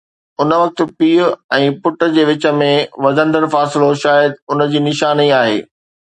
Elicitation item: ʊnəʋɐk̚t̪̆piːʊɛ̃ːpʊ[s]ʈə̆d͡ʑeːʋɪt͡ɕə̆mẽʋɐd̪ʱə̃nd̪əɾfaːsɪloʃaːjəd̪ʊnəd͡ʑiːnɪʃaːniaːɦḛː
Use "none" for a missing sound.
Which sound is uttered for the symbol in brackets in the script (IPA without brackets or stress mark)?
none